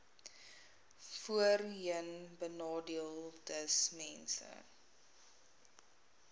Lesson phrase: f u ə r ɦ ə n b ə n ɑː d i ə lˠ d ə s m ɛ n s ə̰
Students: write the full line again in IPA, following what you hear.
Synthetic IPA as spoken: f u ə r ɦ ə n b ə n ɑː d i ə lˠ d ə s m ɛ n s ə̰